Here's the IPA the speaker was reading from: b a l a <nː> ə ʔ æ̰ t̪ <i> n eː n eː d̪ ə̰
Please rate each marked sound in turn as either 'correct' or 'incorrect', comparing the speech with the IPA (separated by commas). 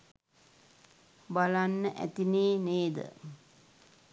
correct, correct